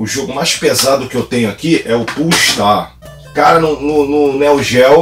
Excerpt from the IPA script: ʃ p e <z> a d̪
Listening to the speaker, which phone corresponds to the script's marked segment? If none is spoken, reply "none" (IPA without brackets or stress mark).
z